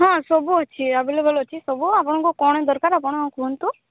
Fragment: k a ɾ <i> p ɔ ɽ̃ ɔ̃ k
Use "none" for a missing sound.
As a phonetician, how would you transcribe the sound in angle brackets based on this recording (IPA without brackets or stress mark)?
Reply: a